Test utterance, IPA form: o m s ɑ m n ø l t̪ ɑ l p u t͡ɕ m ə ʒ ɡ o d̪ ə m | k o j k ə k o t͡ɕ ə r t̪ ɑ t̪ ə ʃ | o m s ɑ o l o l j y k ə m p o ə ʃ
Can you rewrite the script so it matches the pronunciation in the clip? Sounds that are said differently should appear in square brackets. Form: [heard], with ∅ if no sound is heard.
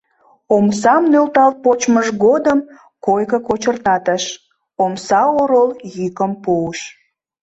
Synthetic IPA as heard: o m s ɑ m n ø l t̪ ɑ l p [o] t͡ɕ m ə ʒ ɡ o d̪ ə m | k o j k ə k o t͡ɕ ə r t̪ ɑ t̪ ə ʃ | o m s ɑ o [ɾ] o l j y k ə m p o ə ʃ